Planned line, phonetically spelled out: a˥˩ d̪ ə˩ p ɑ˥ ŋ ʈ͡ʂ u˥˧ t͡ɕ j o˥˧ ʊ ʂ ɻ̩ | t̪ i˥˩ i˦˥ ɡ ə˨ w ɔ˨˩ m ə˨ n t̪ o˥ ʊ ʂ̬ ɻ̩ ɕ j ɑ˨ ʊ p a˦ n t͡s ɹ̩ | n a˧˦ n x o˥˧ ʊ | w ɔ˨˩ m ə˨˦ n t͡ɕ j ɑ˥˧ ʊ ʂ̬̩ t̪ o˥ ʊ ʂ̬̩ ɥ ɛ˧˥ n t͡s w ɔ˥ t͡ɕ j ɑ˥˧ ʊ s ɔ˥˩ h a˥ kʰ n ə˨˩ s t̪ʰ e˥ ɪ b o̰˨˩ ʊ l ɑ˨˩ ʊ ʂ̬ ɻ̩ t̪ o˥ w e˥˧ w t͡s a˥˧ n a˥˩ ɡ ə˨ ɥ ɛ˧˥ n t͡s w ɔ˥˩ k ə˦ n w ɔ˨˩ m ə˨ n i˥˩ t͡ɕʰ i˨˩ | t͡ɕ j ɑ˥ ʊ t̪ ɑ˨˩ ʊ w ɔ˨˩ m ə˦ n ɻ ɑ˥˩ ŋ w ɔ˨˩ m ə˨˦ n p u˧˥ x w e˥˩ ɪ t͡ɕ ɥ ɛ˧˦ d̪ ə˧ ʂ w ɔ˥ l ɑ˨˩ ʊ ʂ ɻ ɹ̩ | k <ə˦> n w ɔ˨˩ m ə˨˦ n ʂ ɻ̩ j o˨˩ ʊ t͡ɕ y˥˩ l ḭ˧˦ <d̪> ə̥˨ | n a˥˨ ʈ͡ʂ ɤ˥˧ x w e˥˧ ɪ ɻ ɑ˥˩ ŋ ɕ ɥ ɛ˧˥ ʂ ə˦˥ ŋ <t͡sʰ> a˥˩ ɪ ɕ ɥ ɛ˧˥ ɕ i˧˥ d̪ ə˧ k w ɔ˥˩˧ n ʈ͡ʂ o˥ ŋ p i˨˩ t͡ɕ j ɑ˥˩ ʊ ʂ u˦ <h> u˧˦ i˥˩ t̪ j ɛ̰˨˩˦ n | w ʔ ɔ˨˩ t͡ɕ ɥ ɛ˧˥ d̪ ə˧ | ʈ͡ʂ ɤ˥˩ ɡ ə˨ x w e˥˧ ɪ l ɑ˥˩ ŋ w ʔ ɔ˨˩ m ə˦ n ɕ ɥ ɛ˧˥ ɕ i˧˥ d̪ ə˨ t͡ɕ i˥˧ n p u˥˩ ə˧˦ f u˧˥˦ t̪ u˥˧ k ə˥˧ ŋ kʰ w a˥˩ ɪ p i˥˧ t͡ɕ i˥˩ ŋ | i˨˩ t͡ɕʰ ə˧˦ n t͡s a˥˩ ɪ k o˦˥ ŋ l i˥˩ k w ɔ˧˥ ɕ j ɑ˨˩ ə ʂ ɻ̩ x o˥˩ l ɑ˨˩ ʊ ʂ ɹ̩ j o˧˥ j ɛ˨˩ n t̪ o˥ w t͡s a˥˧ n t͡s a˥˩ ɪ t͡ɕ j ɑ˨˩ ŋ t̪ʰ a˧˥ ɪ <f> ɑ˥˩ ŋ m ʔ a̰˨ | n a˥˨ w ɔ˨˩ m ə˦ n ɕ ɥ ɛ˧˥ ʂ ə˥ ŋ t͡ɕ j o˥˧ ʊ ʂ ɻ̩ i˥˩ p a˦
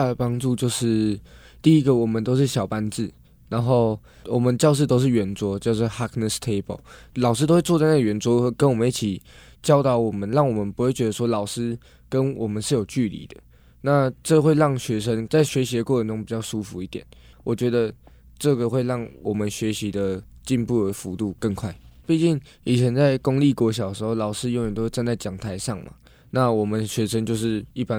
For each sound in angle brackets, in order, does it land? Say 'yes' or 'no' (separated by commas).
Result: yes, yes, no, no, no